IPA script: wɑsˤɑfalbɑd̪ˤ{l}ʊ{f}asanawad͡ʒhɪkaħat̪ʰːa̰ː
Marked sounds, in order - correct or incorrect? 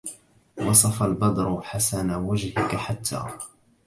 incorrect: ɾ, incorrect: ħ

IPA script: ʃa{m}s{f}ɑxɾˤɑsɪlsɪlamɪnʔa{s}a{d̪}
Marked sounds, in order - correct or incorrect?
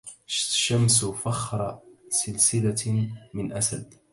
correct, correct, correct, correct

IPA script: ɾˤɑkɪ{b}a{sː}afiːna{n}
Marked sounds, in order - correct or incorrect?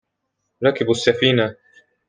correct, correct, incorrect: none

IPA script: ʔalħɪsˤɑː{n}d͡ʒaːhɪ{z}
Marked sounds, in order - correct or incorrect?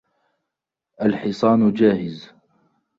correct, correct

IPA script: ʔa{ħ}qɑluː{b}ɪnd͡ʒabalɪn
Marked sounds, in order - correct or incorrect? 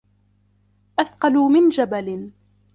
incorrect: θ, incorrect: m

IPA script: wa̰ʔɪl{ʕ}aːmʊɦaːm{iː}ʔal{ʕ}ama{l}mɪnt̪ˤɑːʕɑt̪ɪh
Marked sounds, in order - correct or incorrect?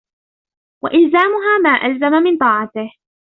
incorrect: z, incorrect: aː, incorrect: z, incorrect: none

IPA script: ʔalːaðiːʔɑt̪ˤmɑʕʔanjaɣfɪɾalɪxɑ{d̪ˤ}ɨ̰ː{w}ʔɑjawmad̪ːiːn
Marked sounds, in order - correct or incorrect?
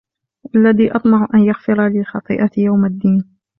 incorrect: t̪ˤ, incorrect: none

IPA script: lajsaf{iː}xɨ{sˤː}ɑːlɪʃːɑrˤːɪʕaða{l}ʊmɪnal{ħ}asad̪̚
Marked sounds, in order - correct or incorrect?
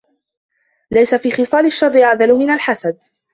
correct, incorrect: sˤ, correct, correct

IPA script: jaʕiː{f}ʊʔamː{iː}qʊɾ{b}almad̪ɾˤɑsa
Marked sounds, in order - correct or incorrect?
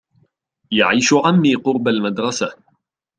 incorrect: ʃ, correct, correct

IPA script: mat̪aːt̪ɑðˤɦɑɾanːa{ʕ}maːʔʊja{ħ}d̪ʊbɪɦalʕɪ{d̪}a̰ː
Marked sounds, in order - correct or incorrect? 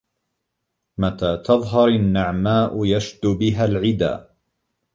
correct, incorrect: ʃ, correct

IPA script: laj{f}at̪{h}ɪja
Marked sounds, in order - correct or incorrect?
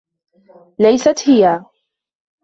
incorrect: s, correct

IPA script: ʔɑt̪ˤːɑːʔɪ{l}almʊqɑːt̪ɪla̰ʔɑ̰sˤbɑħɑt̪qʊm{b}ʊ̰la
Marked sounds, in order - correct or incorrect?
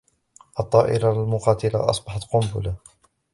incorrect: ɾ, correct

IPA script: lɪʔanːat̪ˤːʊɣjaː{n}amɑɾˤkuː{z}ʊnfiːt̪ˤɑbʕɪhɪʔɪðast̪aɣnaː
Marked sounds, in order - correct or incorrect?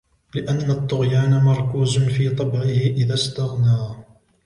correct, correct

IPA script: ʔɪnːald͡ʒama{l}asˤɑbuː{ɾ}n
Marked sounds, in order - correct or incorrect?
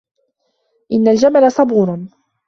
correct, correct

